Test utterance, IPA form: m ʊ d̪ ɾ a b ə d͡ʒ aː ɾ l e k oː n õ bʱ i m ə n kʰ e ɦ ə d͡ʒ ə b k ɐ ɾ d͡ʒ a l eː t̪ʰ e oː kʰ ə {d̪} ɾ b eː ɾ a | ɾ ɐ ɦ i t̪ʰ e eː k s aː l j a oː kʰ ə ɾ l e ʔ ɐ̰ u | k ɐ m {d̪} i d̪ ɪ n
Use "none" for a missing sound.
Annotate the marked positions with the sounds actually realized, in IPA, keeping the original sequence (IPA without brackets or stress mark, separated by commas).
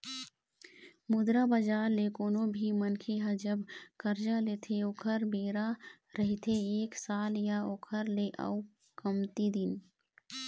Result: none, t̪